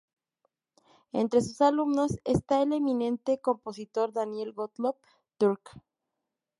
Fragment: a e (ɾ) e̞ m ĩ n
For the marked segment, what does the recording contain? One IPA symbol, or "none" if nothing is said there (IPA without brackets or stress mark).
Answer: l